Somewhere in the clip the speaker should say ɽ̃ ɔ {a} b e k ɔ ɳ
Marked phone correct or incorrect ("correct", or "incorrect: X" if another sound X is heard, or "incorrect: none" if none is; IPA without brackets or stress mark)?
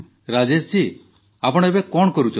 incorrect: e